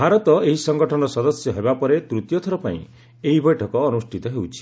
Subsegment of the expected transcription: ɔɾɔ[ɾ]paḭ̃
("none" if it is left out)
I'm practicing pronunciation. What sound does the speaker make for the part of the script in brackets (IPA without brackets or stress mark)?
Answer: none